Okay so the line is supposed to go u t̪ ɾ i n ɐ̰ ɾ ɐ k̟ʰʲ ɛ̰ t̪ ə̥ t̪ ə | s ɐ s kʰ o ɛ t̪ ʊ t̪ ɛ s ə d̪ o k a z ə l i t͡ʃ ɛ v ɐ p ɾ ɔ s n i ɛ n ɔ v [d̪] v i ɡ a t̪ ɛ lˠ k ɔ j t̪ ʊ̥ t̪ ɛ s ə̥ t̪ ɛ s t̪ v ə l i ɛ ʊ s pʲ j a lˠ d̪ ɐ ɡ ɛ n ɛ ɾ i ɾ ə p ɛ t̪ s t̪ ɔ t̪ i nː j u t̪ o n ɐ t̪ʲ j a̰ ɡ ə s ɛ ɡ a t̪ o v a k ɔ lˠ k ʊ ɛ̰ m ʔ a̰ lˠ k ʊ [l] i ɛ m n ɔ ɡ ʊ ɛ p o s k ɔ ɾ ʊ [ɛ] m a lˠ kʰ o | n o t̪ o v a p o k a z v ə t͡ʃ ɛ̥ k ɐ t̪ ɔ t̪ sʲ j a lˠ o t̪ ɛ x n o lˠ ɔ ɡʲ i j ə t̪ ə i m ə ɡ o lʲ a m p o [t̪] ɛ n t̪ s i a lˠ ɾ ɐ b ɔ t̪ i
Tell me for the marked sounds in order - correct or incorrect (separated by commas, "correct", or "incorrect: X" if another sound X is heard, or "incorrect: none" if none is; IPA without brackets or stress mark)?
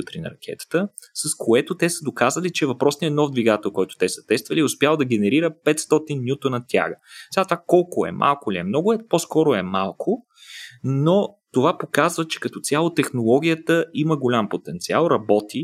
correct, correct, correct, correct